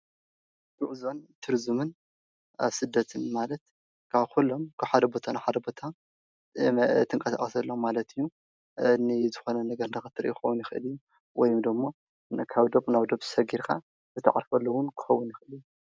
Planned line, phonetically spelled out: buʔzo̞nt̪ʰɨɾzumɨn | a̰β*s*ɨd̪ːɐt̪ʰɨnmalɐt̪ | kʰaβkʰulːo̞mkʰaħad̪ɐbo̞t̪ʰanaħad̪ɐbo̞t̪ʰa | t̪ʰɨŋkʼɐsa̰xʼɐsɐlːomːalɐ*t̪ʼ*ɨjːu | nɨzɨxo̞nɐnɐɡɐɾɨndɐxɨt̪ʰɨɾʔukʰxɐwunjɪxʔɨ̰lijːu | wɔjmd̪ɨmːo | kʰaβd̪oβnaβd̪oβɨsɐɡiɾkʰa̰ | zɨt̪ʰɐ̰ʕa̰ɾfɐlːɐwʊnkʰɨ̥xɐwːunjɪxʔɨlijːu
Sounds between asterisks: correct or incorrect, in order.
correct, incorrect: t̪

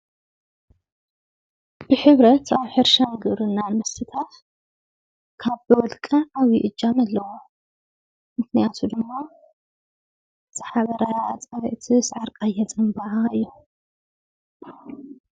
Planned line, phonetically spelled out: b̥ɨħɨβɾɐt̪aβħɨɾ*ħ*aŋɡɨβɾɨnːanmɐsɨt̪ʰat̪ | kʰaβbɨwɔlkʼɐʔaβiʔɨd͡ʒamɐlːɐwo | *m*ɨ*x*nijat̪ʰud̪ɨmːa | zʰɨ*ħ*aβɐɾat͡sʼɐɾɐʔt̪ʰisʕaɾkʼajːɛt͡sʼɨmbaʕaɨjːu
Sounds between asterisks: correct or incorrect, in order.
incorrect: ʃ, correct, incorrect: k, correct

